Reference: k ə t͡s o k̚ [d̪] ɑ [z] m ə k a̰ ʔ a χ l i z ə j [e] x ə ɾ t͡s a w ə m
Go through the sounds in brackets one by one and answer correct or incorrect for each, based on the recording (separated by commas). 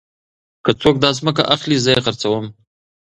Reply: correct, correct, correct